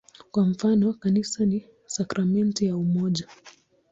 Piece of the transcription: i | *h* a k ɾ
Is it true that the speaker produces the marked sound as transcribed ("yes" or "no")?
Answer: no